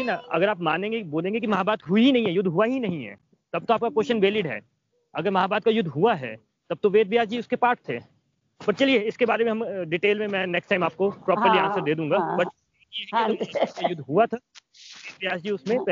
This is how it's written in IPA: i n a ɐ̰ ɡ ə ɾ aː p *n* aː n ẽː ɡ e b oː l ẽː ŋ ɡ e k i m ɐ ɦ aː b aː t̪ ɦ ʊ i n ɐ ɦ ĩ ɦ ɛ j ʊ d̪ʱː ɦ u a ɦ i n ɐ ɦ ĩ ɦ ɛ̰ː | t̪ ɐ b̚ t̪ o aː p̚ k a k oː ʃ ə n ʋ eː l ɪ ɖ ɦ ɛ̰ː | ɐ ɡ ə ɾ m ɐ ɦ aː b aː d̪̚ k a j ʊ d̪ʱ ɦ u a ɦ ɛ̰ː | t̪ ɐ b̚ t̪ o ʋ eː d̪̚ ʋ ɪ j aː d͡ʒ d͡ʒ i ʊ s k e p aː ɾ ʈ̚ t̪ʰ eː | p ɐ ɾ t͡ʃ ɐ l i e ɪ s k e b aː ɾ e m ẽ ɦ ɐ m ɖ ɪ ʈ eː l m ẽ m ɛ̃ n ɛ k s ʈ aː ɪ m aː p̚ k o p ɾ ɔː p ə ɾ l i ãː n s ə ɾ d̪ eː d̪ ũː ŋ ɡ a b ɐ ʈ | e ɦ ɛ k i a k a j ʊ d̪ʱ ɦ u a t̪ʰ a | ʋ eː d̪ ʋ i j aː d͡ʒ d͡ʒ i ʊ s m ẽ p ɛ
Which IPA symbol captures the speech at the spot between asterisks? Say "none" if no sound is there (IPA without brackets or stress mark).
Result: m